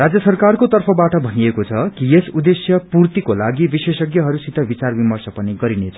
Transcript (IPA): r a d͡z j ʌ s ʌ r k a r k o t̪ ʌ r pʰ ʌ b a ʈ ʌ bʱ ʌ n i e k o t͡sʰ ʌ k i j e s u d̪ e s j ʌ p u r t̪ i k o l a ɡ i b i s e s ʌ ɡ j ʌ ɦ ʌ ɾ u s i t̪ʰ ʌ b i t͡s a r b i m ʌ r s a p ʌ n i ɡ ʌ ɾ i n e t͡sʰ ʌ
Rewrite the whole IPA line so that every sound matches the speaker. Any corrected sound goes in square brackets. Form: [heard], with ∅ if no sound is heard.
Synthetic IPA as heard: r a d͡z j ʌ s ʌ r k a r k o t̪ ʌ r pʰ ʌ b a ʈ ʌ bʱ ʌ n i e k o t͡sʰ ʌ k i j e s u d̪ e s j ʌ p u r t̪ i k o l a ɡ i b i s e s ʌ ɡ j ʌ ɦ ʌ ɾ u s i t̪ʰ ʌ b i t͡s a r b i m ʌ r s [ʌ] p ʌ n i ɡ ʌ ɾ i n e t͡sʰ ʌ